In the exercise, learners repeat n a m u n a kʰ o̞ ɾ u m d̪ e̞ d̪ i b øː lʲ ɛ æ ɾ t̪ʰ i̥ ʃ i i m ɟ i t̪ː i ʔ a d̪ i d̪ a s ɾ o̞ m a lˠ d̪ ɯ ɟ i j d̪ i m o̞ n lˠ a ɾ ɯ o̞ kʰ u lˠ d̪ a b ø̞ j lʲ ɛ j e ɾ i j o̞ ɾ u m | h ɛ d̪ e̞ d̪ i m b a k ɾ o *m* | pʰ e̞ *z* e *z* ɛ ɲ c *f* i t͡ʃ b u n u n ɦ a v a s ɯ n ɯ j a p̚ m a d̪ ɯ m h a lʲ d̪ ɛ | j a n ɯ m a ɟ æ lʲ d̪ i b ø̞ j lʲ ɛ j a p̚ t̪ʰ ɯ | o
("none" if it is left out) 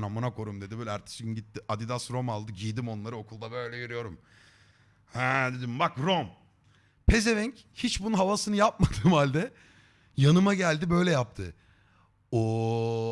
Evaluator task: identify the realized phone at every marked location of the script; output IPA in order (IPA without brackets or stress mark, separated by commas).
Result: m, z, v, h